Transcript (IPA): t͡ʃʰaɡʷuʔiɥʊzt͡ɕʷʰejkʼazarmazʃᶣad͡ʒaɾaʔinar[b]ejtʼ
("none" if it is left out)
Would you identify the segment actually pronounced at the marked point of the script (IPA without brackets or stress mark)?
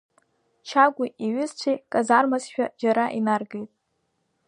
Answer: ɡ